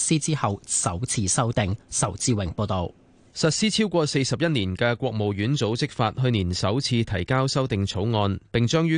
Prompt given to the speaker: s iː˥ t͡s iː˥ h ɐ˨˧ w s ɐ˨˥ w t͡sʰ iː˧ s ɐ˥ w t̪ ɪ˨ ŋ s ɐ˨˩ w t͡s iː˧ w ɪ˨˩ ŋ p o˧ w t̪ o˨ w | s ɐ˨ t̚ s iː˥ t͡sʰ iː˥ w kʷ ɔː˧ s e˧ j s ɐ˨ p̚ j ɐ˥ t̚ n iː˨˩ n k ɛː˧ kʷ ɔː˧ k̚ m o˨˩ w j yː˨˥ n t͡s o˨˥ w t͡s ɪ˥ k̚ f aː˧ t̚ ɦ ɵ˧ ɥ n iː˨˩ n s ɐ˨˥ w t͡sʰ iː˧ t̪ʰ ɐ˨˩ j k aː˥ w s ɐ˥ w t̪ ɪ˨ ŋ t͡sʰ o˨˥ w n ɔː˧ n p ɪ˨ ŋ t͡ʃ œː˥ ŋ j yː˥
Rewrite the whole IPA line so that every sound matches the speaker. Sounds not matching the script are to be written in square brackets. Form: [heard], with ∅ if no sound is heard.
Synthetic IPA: s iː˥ t͡s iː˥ h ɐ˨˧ w s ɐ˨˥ w t͡sʰ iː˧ s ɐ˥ w t̪ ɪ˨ ŋ s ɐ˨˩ w t͡s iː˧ w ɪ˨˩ ŋ p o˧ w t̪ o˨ w | s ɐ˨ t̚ s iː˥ t͡sʰ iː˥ w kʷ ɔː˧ s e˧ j s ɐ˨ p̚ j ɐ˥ t̚ n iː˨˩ n k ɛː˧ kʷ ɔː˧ k̚ m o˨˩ w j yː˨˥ n t͡s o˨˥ w t͡s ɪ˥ k̚ f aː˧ t̚ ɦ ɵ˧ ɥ n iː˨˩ n s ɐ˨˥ w t͡sʰ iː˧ t̪ʰ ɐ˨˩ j k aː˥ w s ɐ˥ w t̪ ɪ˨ ŋ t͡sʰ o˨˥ w [ŋ] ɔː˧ n p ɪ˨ ŋ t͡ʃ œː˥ ŋ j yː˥